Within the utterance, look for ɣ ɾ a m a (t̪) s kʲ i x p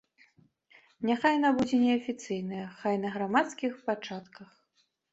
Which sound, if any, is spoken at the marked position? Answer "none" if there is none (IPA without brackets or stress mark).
t̪